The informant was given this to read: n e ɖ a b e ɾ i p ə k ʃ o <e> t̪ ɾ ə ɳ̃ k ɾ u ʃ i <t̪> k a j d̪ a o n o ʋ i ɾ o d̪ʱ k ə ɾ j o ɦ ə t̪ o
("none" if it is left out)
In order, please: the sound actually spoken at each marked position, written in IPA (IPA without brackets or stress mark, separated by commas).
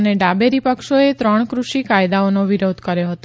e, none